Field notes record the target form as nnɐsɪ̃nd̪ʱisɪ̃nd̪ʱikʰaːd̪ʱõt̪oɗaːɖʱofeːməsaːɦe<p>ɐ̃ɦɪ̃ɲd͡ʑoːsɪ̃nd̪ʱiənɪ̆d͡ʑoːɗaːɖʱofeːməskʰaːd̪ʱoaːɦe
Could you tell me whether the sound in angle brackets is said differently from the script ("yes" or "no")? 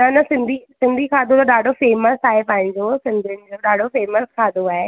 no